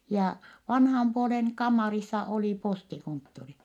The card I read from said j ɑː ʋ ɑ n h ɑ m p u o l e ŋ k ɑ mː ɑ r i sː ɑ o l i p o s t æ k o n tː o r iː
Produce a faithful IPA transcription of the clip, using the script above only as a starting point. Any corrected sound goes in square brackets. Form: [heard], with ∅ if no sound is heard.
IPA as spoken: j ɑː ʋ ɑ n h ɑ m p u o l e ŋ k ɑ mː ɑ r i sː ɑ o l i p o s t [i] k o n tː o r [i]